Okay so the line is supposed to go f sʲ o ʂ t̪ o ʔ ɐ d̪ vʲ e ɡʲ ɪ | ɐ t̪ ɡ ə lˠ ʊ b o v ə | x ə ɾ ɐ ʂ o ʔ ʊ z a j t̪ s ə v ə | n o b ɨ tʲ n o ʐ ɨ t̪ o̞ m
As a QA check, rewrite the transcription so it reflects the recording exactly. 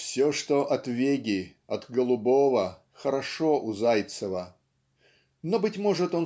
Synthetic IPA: f sʲ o ʂ t̪ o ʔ ɐ t̪ vʲ e ɡʲ ɪ | ɐ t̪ ɡ ə lˠ ʊ b o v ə | x ə ɾ ɐ ʂ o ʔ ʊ z a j t̪ s ə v ə | n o b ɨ tʲ m o ʐ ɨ t̪ o̞ n